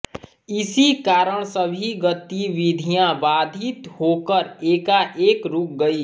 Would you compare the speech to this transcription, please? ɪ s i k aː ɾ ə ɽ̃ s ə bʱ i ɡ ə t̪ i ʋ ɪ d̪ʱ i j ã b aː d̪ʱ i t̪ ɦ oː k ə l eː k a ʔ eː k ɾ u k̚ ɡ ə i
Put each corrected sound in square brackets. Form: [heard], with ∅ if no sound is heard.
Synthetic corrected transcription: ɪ s i k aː ɾ ə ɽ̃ s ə bʱ i ɡ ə t̪ i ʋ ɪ d̪ʱ i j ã b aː d̪ʱ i t̪ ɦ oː k ə [ɾ] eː k a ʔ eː k ɾ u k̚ ɡ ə i